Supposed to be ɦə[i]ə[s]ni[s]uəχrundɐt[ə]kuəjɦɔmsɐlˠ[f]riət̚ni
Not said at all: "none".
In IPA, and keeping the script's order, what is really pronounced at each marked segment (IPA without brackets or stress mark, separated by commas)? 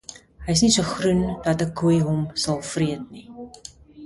j, s, s, ə, f